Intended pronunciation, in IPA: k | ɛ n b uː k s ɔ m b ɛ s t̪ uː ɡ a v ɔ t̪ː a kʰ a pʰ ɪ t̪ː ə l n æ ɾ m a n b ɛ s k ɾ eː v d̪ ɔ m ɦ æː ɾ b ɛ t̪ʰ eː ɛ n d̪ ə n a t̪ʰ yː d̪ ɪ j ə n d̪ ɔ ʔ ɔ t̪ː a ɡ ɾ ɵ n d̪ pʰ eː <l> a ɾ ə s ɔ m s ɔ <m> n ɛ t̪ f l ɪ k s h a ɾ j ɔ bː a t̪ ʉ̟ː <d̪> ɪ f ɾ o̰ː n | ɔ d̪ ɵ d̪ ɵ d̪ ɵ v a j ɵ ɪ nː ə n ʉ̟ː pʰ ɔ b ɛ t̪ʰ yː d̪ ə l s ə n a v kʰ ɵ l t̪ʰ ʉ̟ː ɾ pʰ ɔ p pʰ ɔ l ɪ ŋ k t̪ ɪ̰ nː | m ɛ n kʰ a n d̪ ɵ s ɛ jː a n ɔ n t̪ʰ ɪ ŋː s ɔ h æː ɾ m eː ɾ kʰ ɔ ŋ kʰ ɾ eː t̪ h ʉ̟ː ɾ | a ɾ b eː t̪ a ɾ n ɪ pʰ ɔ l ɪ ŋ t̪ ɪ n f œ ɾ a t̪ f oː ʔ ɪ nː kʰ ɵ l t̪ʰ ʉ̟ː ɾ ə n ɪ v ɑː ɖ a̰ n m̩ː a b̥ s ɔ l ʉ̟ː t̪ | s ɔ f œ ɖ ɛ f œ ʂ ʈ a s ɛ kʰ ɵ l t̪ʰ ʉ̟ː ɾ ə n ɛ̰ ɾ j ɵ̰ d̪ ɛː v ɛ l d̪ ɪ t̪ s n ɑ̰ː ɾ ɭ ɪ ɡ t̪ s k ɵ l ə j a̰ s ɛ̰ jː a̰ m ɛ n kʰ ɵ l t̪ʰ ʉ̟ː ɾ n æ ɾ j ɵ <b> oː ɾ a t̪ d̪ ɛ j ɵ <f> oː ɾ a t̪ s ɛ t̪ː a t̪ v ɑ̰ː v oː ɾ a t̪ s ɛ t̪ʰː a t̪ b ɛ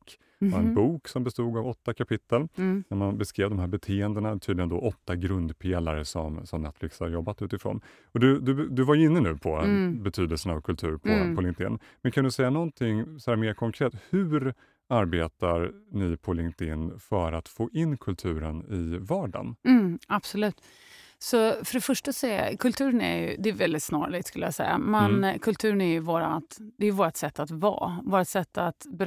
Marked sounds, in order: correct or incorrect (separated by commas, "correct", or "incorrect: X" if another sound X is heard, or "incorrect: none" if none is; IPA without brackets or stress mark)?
correct, correct, incorrect: t̪, incorrect: v, incorrect: v